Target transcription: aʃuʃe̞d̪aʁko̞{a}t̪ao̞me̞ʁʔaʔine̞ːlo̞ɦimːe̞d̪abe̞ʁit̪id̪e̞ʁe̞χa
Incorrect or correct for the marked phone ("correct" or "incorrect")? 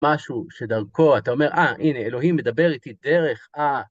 correct